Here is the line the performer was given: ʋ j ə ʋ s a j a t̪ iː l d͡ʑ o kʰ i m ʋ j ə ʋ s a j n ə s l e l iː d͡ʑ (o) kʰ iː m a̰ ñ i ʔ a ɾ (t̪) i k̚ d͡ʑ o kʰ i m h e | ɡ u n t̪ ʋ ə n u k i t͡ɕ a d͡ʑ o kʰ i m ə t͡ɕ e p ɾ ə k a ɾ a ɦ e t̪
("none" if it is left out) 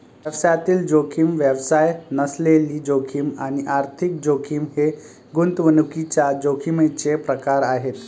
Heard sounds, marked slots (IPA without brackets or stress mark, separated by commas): o, t̪ʰ